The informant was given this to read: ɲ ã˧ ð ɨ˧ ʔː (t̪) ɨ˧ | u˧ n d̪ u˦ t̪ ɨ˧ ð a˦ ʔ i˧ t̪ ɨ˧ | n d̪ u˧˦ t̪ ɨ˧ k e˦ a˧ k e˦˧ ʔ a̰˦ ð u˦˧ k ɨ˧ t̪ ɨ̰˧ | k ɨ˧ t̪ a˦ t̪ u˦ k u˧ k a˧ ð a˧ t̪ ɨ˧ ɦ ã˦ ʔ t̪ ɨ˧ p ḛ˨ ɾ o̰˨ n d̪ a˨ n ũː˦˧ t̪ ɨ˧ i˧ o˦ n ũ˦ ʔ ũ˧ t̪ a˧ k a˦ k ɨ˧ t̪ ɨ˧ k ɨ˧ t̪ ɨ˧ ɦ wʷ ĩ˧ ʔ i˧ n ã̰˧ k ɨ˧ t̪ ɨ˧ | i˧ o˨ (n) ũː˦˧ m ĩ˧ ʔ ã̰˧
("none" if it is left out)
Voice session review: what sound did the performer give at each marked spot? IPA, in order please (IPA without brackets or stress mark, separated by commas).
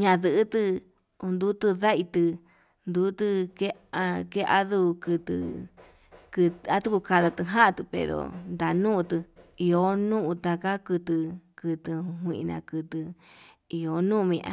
t̪, n